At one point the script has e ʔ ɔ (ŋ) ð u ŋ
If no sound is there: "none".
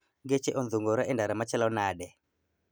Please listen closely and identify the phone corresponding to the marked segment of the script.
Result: n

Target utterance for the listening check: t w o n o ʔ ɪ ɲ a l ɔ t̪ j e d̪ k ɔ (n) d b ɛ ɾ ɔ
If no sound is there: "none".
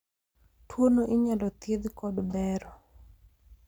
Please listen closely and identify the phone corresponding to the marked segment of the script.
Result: none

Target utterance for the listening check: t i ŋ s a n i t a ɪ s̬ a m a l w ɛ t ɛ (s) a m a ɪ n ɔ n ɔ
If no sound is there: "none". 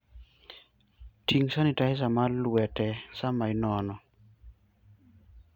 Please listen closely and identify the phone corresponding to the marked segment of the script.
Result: s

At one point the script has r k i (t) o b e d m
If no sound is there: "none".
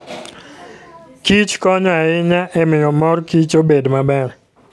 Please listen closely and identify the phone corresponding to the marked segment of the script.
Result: t͡ʃ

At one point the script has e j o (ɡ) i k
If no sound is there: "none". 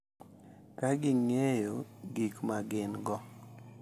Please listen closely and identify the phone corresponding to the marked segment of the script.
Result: ɡ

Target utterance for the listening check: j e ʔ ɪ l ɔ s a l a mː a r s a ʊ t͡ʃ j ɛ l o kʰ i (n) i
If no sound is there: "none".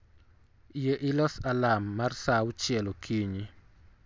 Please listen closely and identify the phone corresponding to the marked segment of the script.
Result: ɲ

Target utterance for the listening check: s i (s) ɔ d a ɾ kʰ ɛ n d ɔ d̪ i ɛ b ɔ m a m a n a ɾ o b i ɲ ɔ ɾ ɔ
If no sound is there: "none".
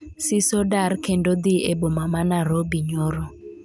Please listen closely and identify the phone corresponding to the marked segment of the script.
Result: s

